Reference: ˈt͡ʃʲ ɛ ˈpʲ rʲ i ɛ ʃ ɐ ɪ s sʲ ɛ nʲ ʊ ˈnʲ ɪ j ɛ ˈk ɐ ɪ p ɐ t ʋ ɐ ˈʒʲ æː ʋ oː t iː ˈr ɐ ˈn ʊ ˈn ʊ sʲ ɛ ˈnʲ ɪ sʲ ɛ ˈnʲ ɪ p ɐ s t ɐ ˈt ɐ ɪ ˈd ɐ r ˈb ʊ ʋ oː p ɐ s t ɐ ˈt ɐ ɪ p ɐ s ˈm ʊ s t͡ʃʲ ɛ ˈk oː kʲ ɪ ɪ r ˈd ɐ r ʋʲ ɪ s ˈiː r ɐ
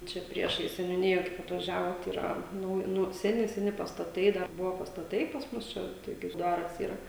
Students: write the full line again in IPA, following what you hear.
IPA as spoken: ˈt͡ʃʲ ɛ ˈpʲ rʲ i ɛ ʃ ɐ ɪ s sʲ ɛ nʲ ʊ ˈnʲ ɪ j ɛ ˈk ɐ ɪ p ɐ t ʋ ɐ ˈʒʲ æː ʋ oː t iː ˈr ɐ ˈn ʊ ˈn ʊ sʲ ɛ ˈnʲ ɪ sʲ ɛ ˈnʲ ɪ p ɐ s t ɐ ˈt ɐ ɪ ˈd ɐ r ˈb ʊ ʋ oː p ɐ s t ɐ ˈt ɐ ɪ p ɐ s ˈm ʊ s t͡ʃʲ ɛ ˈt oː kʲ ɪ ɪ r ˈd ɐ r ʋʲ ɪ s ˈiː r ɐ

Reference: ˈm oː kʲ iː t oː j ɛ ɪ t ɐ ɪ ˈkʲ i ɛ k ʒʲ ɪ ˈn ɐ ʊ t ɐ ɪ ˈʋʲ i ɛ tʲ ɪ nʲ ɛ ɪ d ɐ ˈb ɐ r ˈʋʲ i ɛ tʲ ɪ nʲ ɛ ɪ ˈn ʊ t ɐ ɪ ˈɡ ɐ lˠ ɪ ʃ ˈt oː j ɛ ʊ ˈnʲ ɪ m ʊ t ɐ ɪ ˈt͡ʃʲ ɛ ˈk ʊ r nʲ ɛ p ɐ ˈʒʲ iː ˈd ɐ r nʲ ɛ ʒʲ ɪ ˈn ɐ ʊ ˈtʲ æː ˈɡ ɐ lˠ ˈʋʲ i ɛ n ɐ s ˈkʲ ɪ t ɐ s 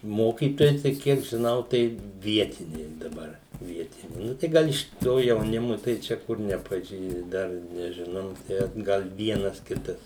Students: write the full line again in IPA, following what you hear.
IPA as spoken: ˈm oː kʲ iː t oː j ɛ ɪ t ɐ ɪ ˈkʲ i ɛ k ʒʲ ɪ ˈn ɐ ʊ t ɐ ɪ ˈʋʲ i ɛ tʲ ɪ nʲ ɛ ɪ d ɐ ˈb ɐ r ˈʋʲ i ɛ tʲ ɪ nʲ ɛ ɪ ˈn ʊ t ɐ ɪ ˈɡ ɐ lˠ ɪ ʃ ˈt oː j ɛ ʊ ˈnʲ ɪ m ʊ t ɐ ɪ ˈt͡ʃʲ ɛ ˈk ʊ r nʲ ɛ p ɐ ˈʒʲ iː ˈd ɐ r nʲ ɛ ʒʲ ɪ ˈn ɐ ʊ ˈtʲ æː ˈɡ ɐ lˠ ˈʋʲ i ɛ n ɐ s ˈkʲ ɪ t ɐ s

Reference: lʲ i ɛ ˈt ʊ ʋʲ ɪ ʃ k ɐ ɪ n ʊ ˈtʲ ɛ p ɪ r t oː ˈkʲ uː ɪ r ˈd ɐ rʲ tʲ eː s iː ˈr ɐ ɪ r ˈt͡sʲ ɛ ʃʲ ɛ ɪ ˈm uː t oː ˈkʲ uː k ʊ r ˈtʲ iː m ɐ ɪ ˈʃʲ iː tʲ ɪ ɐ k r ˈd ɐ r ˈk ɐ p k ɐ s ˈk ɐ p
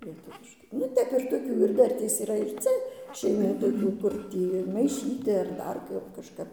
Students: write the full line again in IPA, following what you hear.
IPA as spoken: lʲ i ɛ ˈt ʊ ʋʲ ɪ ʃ k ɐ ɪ n ʊ ˈtʲ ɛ p ɪ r t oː ˈkʲ uː ɪ r ˈd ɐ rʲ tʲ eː s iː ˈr ɐ ɪ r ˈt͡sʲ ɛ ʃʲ ɛ ɪ ˈm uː t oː ˈkʲ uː k ʊ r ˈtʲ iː m ɐ ɪ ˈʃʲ iː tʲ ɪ ɐ r ˈd ɐ r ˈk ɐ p k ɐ ʃ ˈk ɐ p

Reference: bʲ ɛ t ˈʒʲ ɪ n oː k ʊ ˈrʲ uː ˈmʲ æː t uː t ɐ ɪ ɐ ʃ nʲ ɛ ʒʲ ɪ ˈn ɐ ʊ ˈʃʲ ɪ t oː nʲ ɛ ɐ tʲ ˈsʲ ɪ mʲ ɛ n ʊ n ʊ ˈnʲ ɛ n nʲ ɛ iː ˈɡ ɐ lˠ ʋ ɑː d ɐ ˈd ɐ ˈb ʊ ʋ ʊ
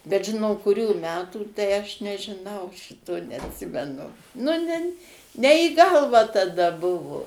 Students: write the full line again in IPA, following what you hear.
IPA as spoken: bʲ ɛ t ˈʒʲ ɪ n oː k ʊ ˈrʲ uː ˈmʲ æː t uː t ɐ ɪ ɐ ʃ nʲ ɛ ʒʲ ɪ ˈn ɐ ʊ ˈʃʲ ɪ t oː nʲ ɛ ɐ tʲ ˈsʲ ɪ mʲ ɛ n ʊ n ʊ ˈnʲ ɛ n nʲ ɛ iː ˈɡ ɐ lˠ ʋ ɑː t ɐ ˈd ɐ ˈb ʊ ʋ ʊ

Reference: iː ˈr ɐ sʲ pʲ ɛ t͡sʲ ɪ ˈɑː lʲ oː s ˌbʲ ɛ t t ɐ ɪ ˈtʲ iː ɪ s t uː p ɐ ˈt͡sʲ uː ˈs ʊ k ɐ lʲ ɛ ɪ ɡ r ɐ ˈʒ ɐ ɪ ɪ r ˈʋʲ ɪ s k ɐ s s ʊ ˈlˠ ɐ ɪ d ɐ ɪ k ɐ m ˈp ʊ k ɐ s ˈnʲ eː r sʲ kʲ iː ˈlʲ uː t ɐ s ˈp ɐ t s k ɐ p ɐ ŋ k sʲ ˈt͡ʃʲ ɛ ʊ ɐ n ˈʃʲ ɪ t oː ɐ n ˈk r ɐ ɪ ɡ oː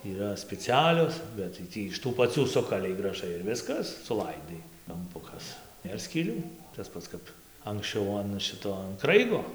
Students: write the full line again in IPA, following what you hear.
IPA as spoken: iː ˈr ɐ sʲ pʲ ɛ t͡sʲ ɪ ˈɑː lʲ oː s ˌbʲ ɛ t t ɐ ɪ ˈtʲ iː ɪ ʃ t uː p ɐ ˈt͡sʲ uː ˈs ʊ k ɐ lʲ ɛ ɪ ɡ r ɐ ˈʒ ɐ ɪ ɪ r ˈʋʲ ɪ s k ɐ s s ʊ ˈlˠ ɐ ɪ d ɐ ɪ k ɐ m ˈp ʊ k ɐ s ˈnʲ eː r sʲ kʲ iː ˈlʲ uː t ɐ s ˈp ɐ t s k ɐ p ɐ ŋ k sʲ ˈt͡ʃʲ ɛ ʊ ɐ n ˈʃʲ ɪ t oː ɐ n ˈk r ɐ ɪ ɡ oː

